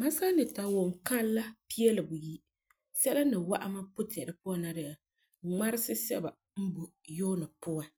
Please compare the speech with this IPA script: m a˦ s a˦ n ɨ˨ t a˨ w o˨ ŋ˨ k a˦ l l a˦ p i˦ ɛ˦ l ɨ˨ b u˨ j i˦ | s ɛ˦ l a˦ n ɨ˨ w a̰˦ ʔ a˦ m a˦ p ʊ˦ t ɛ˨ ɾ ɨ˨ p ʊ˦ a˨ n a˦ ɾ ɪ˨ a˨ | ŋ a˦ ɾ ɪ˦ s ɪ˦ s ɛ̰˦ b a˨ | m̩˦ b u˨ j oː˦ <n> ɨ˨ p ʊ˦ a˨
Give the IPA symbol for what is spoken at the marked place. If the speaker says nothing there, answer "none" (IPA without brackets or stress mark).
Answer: n